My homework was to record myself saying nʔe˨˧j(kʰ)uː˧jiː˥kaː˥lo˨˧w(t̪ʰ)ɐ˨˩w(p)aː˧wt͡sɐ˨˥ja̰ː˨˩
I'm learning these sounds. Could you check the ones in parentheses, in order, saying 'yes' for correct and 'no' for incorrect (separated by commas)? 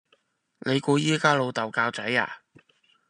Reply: no, no, no